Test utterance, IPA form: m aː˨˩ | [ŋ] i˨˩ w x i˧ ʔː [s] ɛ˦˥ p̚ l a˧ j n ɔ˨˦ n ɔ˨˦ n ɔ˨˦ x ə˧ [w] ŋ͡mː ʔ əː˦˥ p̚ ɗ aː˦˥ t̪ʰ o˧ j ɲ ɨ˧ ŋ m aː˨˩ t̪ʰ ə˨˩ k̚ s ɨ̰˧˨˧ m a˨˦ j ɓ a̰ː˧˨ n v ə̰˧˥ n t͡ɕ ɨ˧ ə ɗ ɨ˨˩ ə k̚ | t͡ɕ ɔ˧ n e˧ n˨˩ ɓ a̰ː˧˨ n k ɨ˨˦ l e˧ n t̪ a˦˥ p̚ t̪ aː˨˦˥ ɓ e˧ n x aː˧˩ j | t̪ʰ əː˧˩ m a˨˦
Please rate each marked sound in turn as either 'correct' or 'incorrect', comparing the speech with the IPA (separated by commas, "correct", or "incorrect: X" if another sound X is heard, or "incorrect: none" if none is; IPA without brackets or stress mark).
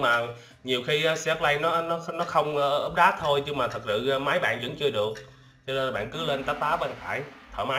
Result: incorrect: ɲ, correct, correct